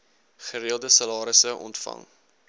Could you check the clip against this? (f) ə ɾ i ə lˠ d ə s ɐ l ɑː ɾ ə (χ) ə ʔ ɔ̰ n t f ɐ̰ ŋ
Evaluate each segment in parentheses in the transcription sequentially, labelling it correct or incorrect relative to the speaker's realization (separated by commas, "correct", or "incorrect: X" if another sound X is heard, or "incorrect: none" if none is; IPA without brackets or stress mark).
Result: incorrect: χ, incorrect: s